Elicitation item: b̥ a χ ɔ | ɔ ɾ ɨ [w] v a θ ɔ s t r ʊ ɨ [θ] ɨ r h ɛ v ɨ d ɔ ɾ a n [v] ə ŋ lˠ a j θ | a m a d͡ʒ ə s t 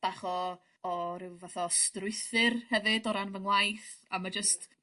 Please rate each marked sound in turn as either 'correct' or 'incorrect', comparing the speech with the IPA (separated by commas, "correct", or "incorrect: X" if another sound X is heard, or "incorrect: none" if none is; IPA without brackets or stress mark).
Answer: correct, correct, correct